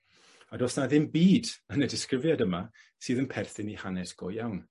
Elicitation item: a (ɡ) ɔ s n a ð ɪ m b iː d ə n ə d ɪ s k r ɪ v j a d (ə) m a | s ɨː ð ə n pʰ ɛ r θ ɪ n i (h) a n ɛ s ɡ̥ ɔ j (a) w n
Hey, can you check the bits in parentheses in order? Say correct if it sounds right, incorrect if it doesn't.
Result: incorrect: d, correct, correct, correct

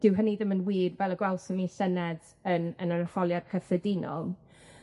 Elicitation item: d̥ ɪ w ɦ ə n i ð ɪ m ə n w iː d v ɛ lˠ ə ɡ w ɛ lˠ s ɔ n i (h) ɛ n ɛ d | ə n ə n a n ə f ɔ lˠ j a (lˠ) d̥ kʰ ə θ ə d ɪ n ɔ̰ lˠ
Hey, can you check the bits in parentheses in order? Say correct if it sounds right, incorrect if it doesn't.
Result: incorrect: s, incorrect: none

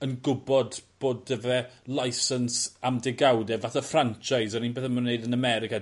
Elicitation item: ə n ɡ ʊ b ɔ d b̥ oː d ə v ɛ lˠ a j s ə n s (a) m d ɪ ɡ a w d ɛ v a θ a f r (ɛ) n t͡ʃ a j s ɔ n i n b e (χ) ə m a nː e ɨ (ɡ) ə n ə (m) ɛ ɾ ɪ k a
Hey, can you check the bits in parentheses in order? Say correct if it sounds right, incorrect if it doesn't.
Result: correct, incorrect: a, incorrect: θ, incorrect: d, correct

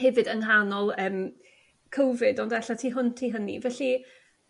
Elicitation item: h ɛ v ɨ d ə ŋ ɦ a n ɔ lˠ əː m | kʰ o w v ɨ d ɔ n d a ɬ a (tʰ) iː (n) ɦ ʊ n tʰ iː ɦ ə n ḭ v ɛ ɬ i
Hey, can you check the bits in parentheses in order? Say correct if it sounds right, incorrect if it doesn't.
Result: correct, incorrect: none

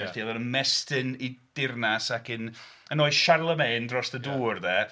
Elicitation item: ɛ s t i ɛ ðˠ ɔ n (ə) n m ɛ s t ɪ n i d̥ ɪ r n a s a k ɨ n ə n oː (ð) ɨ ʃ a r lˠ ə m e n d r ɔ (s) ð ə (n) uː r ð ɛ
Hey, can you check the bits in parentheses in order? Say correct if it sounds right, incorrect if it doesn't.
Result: correct, incorrect: none, correct, incorrect: d

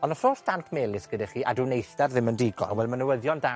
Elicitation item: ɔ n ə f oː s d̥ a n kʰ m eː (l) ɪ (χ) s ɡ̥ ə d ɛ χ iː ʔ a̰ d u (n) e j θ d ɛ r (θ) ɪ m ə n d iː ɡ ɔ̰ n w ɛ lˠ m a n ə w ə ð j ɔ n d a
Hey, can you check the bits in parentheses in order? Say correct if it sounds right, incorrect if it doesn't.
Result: correct, incorrect: none, correct, incorrect: ð

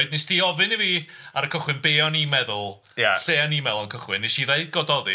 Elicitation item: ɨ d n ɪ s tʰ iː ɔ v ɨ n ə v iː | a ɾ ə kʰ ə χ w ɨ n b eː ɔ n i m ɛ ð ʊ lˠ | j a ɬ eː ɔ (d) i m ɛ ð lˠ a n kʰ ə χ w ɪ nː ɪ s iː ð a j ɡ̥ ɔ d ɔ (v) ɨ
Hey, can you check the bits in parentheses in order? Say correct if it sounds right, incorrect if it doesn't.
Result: incorrect: n, incorrect: ð

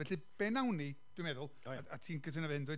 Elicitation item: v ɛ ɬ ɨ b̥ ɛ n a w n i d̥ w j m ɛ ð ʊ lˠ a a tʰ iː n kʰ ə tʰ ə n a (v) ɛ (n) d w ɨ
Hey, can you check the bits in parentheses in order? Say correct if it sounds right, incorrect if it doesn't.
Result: correct, correct

